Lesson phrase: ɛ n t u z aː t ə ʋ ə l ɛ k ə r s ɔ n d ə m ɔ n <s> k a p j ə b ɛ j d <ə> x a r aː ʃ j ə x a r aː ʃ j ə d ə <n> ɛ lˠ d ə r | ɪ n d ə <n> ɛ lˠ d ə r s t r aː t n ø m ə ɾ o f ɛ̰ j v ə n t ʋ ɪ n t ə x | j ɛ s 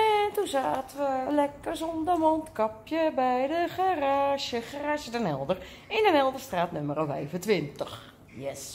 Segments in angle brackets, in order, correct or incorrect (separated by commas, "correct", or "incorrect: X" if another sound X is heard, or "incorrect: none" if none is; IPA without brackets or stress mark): incorrect: t, correct, correct, correct